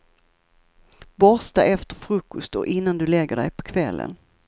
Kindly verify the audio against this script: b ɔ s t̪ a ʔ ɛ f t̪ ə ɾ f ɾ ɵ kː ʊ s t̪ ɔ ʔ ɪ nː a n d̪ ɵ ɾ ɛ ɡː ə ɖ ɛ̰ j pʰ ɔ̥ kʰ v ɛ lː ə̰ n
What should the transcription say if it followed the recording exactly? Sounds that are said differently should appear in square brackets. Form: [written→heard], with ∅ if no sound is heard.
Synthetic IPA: b ɔ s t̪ a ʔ ɛ f t̪ ə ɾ f ɾ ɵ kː ʊ s t̪ ɔ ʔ ɪ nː a n d̪ ɵ [ɾ→l] ɛ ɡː ə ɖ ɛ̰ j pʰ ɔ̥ kʰ v ɛ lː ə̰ n